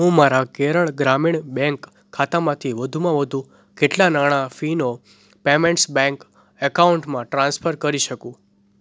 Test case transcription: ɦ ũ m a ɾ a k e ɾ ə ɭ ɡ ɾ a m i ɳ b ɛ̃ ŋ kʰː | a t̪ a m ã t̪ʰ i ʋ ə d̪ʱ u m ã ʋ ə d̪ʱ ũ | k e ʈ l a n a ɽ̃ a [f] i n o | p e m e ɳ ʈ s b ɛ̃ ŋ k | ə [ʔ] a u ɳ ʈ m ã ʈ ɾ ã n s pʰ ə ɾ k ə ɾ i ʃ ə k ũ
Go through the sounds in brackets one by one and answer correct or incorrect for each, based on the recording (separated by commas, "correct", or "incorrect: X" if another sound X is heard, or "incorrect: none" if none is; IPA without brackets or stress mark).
correct, incorrect: k